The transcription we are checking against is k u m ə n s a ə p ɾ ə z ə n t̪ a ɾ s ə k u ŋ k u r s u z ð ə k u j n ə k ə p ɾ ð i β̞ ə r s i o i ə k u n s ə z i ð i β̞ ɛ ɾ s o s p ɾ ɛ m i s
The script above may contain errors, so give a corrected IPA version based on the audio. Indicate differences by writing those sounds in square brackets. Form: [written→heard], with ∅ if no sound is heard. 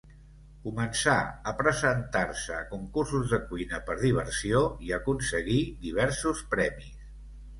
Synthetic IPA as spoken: k u m ə n s a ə p ɾ ə z ə n t̪ a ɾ s ə k u ŋ k u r s u z ð ə k u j n ə [k→p] ə [p→∅] ɾ ð i β̞ ə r s i o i ə k u n s ə [z→ɣ] i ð i β̞ ɛ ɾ s [o→u] s p ɾ ɛ m i s

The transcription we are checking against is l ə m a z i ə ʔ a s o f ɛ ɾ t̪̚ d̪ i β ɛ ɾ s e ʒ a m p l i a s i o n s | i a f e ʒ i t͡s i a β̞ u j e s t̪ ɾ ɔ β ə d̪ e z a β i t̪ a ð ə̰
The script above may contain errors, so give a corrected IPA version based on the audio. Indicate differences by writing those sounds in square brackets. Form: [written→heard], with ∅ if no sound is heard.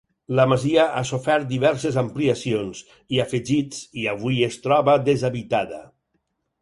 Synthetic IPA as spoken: l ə m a z i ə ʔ a s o f ɛ ɾ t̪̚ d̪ i β ɛ ɾ s e [ʒ→z] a m p l i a s i o n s | i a f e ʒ i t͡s i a β̞ u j e s t̪ ɾ ɔ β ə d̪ e z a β i t̪ a ð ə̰

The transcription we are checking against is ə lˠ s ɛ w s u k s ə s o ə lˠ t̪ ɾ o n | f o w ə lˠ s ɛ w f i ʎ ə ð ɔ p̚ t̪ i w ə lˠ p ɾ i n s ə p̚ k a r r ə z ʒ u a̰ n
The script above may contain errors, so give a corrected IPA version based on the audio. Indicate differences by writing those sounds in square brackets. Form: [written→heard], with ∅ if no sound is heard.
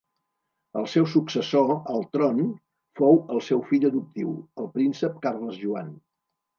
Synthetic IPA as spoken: ə lˠ s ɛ w s u k s ə s o ə lˠ t̪ ɾ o n | f o w ə lˠ s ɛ w f i ʎ ə ð [ɔ→u] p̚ t̪ i w ə lˠ p ɾ i n s ə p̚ k a r [r→l] ə z ʒ u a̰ n

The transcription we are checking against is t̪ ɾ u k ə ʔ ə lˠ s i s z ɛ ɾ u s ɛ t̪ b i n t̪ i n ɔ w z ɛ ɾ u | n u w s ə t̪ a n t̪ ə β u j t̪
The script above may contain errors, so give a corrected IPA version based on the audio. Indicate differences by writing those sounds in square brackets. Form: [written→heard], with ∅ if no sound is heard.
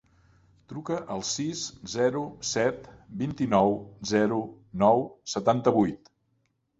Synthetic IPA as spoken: t̪ ɾ u k ə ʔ ə lˠ s i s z ɛ ɾ u s ɛ t̪ b i n t̪ i n ɔ w z ɛ ɾ u | n [u→ɔ] w s ə t̪ a n t̪ ə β u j t̪

